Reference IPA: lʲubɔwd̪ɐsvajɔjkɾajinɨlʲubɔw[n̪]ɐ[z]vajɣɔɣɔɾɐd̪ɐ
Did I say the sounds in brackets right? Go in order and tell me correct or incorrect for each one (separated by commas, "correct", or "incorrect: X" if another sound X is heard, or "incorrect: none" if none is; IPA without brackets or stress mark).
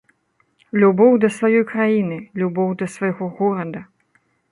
incorrect: d̪, incorrect: s